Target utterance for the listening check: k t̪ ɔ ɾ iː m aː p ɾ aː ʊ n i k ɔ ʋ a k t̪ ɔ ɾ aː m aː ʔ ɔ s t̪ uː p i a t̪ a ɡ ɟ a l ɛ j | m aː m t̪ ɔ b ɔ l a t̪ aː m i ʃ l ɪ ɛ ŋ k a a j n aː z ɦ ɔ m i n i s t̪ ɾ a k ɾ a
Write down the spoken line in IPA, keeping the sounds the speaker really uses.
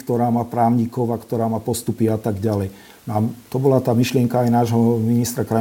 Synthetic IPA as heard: k t̪ ɔ ɾ aː m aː p ɾ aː ʊ ɲ i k ɔ ʋ a k t̪ ɔ ɾ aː m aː p ɔ s t̪ u p i a t̪ a ɡ ɟ a l ɛ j | n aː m t̪ ɔ b ɔ l a t̪ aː m i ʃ l ɪ ɛ ŋ k a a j n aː ʒ ɦ ɔ m i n i s t̪ ɾ a k ɾ a